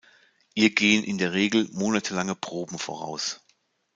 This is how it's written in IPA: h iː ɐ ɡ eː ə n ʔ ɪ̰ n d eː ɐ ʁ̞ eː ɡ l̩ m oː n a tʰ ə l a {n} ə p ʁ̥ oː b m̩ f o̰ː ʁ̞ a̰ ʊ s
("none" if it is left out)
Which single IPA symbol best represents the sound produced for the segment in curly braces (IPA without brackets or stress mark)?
ŋ